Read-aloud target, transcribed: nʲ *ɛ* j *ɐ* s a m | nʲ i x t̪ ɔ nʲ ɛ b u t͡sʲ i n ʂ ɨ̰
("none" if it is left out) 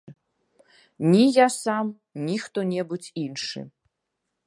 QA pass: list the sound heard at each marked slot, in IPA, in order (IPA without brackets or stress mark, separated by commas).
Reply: i, a